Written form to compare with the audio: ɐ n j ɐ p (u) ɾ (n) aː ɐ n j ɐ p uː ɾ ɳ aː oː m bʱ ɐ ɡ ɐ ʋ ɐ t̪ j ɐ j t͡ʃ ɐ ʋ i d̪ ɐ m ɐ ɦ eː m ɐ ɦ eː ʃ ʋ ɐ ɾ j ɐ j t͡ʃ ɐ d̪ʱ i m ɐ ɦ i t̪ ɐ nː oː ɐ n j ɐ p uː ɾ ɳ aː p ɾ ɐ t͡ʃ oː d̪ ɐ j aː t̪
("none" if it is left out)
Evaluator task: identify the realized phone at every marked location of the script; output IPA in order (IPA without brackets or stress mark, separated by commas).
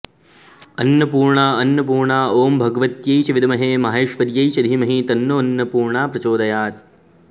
uː, ɳ